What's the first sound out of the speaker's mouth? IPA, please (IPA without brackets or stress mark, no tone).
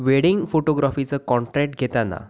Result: ʋ